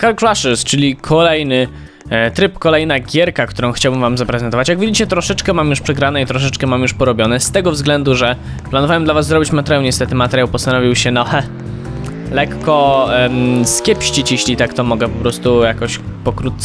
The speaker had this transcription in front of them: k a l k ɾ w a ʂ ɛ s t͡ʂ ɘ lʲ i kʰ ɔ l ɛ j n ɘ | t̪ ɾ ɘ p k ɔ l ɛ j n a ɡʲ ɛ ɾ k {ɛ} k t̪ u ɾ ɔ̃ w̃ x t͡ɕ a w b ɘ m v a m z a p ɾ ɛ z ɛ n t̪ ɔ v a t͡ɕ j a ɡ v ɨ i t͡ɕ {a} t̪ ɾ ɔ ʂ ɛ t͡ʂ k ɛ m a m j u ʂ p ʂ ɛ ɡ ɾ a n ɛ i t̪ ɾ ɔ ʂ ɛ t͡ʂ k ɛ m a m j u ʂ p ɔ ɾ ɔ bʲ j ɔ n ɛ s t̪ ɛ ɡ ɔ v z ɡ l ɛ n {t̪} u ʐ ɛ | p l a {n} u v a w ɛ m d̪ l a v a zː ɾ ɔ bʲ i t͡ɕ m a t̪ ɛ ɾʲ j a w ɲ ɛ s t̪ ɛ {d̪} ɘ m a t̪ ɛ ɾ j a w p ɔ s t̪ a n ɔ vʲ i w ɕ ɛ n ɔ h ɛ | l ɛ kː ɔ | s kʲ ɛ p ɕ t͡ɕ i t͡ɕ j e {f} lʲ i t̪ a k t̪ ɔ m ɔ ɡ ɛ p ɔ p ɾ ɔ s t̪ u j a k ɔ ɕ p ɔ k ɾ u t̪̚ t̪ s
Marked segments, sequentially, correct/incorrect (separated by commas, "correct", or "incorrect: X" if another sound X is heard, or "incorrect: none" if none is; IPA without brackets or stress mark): incorrect: a, incorrect: ɛ, incorrect: d̪, correct, incorrect: t̪, incorrect: ɕ